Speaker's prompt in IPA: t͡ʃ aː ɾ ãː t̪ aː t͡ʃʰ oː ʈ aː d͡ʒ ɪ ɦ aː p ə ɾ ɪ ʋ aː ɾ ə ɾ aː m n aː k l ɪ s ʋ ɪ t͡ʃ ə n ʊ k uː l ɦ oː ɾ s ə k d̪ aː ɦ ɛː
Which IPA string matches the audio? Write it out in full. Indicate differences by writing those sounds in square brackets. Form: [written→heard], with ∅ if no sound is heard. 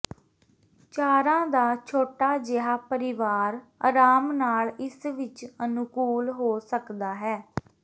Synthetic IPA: t͡ʃ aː ɾ ãː [t̪→d̪] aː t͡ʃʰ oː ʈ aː d͡ʒ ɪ ɦ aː p ə ɾ ɪ ʋ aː ɾ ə ɾ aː m n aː [k→∅] l ɪ s ʋ ɪ t͡ʃ ə n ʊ k uː l ɦ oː [ɾ→∅] s ə k d̪ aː ɦ ɛː